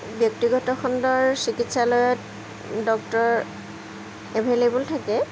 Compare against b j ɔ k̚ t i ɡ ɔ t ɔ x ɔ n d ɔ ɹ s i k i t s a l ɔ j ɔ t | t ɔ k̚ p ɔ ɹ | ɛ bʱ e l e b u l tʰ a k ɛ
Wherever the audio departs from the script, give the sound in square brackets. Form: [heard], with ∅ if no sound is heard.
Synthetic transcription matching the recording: b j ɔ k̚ t i ɡ ɔ t ɔ x ɔ n d ɔ ɹ s i k i t s a l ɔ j ɔ t | [d] ɔ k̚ [t] ɔ ɹ | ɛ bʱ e l e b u l tʰ a k ɛ